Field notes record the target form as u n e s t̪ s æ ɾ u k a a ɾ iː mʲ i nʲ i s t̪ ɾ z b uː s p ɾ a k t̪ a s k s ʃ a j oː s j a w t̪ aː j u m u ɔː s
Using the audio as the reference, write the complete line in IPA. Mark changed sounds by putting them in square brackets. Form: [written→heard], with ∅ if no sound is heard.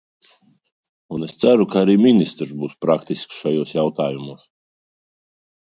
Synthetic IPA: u n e s t̪ s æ ɾ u k a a ɾ iː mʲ i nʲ i s t̪ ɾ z b uː s p ɾ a k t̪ [a→i] s k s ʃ a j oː s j a w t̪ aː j u m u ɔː s